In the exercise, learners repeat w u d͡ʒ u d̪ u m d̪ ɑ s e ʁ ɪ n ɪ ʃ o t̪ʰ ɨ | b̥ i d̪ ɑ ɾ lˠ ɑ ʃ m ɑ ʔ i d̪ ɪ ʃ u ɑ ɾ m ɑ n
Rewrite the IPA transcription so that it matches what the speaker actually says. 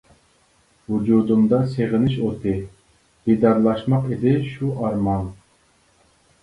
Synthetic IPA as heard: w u d͡ʒ u d̪ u m d̪ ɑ s e ʁ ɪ n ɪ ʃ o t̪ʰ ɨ | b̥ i d̪ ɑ ɾ lˠ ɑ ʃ m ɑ q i d̪ ɪ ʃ u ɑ ɾ m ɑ n